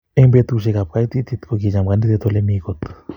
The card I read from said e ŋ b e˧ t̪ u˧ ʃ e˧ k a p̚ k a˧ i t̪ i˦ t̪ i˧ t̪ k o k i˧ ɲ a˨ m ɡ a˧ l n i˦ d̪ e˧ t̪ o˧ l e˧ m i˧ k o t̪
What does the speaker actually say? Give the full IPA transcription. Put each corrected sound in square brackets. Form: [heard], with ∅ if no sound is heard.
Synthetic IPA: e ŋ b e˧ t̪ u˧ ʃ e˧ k a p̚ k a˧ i t̪ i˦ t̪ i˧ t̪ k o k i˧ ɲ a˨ m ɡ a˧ [∅] n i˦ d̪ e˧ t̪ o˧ l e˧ m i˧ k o t̪

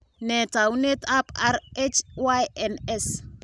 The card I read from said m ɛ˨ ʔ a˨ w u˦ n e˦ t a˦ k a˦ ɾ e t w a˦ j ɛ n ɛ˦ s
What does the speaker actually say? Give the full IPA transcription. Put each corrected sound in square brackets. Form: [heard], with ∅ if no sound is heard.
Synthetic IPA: [n] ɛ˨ [t] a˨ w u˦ n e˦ t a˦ [p] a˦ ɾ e [t͡ʃ] w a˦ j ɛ n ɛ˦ s

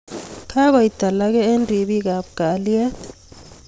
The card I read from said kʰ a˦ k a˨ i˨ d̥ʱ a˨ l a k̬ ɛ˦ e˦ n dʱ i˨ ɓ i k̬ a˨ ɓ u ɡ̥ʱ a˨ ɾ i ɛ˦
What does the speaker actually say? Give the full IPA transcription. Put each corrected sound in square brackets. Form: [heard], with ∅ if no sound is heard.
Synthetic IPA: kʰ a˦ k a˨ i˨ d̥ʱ a˨ l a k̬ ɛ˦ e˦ n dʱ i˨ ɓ i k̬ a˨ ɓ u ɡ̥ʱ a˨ [l] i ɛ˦

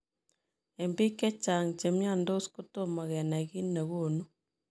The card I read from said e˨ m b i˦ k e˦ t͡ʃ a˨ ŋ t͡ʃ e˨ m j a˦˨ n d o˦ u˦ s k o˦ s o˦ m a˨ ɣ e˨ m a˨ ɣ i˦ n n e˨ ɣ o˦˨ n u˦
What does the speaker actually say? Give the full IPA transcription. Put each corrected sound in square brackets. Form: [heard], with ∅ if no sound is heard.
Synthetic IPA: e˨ m b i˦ k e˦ t͡ʃ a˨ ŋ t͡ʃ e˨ m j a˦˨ n d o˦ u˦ s k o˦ [t] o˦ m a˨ ɣ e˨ [n] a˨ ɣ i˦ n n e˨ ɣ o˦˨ n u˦

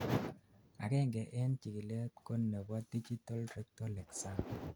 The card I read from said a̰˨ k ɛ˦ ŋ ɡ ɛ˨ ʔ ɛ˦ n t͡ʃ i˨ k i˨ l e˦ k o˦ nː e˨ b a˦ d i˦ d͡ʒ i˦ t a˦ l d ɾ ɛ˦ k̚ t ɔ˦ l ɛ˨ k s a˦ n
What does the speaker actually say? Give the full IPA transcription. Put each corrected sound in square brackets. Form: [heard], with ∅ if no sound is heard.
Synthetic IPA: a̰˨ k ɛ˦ ŋ ɡ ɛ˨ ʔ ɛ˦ n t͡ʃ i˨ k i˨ l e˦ k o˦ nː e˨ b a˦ d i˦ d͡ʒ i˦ t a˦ l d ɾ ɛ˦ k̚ t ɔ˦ l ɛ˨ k s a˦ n

